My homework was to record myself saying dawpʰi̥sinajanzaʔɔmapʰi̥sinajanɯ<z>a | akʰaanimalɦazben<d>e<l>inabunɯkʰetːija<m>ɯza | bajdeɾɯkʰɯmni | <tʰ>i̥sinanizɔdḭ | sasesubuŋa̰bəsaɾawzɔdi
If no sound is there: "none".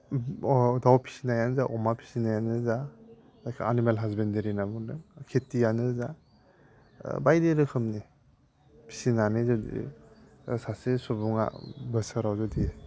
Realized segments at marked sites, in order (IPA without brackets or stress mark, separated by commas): z, d, ɾ, n, pʰ